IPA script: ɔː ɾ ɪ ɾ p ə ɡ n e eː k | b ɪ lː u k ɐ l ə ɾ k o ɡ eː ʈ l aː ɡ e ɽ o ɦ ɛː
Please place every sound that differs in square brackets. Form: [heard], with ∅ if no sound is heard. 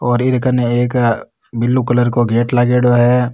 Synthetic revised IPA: ɔː ɾ ɪ ɾ [k] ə [∅] n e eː k | b ɪ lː u k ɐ l ə ɾ k o ɡ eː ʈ l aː ɡ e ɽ o ɦ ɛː

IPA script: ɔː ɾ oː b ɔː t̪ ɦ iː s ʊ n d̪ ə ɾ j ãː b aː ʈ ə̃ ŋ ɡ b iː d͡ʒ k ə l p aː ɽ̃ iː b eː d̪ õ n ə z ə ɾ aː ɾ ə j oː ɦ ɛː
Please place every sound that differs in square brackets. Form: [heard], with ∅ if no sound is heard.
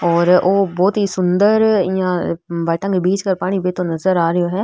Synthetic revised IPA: ɔː ɾ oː b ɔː t̪ ɦ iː s ʊ n d̪ ə ɾ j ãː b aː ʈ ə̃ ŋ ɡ b iː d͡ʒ k ə [ɾ] p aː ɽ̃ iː b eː [t̪] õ n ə z ə ɾ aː ɾ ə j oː ɦ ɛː

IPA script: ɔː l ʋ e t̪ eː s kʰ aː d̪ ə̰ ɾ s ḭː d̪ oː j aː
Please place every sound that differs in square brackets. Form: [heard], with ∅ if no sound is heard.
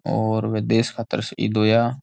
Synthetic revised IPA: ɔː [ɾ] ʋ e [d̪] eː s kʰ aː [t̪] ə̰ ɾ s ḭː d̪ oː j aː

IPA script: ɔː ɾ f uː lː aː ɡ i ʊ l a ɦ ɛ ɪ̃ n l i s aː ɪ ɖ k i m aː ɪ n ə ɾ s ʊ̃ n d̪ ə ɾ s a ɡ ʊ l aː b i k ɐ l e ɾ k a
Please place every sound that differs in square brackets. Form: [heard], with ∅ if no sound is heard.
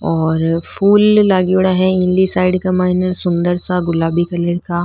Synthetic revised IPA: ɔː ɾ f uː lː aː ɡ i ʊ [ɽ] a ɦ ɛ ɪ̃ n l i s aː ɪ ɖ k [a] m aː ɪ n ə ɾ s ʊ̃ n d̪ ə ɾ s a ɡ ʊ l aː b i k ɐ l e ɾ k a

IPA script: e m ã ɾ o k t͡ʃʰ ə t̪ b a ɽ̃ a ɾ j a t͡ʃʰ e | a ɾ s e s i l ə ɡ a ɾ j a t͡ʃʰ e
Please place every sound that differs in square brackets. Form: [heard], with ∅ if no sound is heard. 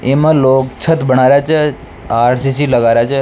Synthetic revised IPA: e m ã [l] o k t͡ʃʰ ə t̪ b [ə] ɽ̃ a ɾ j a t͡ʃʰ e | a ɾ s [i] s i l ə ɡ a ɾ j a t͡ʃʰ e

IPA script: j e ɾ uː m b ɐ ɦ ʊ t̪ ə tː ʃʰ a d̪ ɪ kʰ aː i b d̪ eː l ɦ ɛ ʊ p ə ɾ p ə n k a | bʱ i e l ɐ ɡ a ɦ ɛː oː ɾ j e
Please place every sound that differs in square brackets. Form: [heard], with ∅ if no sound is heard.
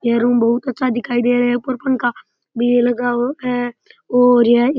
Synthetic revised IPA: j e ɾ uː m b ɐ ɦ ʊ t̪ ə tː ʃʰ a d̪ ɪ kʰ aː i [∅] d̪ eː [ɾ] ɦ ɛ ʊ p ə ɾ p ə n k a | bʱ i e l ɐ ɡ a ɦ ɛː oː ɾ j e

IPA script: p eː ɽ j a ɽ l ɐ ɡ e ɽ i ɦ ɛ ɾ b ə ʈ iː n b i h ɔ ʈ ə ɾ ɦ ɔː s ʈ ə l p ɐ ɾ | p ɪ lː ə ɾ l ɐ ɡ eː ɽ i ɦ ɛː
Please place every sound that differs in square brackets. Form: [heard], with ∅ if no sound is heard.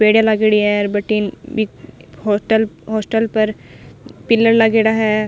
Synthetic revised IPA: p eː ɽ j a [∅] l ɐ ɡ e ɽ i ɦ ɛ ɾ b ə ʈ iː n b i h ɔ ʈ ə [l] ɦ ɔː s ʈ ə l p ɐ ɾ | p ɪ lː ə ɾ l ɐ ɡ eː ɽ [a] ɦ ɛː

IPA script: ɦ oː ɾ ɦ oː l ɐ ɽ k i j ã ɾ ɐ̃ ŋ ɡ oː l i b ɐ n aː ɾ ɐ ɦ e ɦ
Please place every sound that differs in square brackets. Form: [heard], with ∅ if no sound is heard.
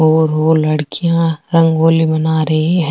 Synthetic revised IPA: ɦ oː ɾ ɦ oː l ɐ ɽ k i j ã ɾ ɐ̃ ŋ ɡ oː l i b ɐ n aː ɾ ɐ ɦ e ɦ

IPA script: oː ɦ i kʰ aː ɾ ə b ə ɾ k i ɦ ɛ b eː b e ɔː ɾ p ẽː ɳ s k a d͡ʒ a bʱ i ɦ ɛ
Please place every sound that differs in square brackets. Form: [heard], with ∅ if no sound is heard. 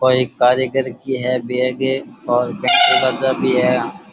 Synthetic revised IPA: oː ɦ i [k] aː ɾ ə [ɡ] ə ɾ k i ɦ ɛ b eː [ɡ] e ɔː ɾ p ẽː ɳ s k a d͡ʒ a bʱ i ɦ ɛ

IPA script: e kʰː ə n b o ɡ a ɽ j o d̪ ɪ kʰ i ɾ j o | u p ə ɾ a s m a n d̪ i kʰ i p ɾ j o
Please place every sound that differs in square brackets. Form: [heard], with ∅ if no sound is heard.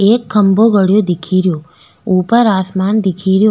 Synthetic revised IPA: e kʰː ə [m] b o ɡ [ə] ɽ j o d̪ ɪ kʰ i ɾ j o | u p ə ɾ a s m a n d̪ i kʰ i [∅] ɾ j o

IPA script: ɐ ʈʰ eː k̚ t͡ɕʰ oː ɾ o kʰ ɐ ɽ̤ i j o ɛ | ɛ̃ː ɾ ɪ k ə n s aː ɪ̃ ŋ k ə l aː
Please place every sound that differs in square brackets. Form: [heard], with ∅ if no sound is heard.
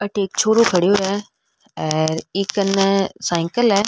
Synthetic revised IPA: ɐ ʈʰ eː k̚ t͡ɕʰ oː ɾ o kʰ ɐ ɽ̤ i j o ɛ | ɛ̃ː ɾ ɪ k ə n s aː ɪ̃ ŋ k ə l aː

